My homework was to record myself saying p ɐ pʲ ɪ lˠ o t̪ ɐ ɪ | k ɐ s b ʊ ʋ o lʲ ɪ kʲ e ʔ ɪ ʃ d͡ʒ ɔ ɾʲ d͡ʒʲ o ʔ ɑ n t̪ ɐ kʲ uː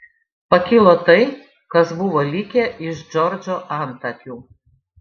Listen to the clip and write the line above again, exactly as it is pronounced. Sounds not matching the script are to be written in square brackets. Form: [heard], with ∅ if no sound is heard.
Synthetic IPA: p ɐ [kʲ] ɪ lˠ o t̪ ɐ ɪ | k ɐ s b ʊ ʋ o lʲ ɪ kʲ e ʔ ɪ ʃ d͡ʒ ɔ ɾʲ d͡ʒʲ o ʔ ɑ n t̪ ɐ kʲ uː